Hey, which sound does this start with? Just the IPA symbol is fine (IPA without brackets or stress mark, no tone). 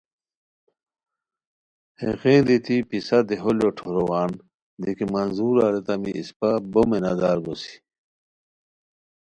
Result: h